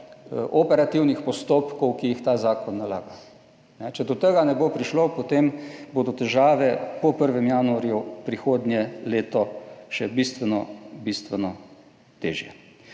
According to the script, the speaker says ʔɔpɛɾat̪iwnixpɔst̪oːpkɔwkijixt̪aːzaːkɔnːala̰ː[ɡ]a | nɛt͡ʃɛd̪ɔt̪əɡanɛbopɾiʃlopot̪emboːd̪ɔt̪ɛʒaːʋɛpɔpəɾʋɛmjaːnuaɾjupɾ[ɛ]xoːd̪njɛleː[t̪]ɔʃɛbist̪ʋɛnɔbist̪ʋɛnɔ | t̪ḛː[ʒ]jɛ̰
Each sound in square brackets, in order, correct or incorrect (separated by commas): correct, incorrect, correct, correct